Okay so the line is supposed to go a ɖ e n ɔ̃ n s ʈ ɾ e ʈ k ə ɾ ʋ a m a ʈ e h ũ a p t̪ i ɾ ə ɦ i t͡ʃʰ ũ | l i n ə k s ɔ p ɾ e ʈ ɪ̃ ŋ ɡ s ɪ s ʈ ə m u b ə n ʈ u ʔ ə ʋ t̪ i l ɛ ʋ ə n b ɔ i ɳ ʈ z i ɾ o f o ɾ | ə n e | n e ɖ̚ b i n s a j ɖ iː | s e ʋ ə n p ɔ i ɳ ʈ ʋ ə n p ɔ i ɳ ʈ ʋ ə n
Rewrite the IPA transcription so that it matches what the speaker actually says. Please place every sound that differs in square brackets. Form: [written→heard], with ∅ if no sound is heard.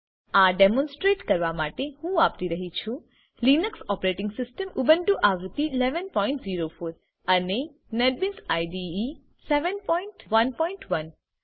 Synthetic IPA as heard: a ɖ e [n→m] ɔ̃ n s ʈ ɾ e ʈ k ə ɾ ʋ a m a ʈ e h ũ a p t̪ i ɾ ə ɦ i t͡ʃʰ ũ | l i n ə k s ɔ p ɾ e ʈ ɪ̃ ŋ ɡ s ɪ s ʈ ə m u b ə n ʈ u ʔ [ə→a] ʋ t̪ i l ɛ ʋ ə n [b→p] ɔ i ɳ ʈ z i ɾ o f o ɾ | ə n e | n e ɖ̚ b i n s a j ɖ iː | s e ʋ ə n p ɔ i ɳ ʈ ʋ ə n p ɔ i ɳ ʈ ʋ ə n